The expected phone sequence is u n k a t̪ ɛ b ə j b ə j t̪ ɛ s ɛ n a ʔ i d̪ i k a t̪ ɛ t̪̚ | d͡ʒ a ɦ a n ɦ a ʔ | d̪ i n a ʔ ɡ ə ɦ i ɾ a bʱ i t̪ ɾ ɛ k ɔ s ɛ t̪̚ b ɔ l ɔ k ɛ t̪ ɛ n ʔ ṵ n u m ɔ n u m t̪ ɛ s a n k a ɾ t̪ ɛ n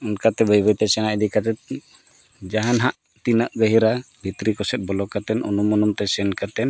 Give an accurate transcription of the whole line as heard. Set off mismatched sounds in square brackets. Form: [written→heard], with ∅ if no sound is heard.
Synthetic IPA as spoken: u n k a t̪ ɛ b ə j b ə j t̪ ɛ s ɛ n a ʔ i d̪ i k a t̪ ɛ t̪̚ | d͡ʒ a ɦ a n ɦ a ʔ | [d̪→t̪] i n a ʔ ɡ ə ɦ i ɾ a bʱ i t̪ ɾ [ɛ→i] k ɔ s ɛ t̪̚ b ɔ l ɔ k [ɛ→a] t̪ ɛ n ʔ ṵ n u m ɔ n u m t̪ ɛ s [a→ɛ] n k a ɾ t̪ ɛ n